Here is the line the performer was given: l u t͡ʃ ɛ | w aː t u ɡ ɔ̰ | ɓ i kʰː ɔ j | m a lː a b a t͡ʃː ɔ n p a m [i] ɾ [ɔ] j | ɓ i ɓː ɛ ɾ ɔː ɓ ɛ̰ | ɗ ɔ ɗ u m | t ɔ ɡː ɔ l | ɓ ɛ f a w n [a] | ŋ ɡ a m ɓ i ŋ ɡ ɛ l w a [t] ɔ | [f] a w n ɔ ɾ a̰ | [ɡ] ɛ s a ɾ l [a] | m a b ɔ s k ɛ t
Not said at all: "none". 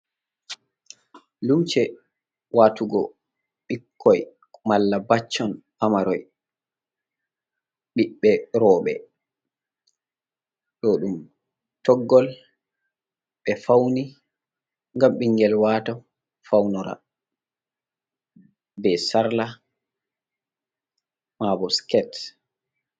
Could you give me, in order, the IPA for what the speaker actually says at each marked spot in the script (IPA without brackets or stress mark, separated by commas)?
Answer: a, ɔ, i, t, f, b, a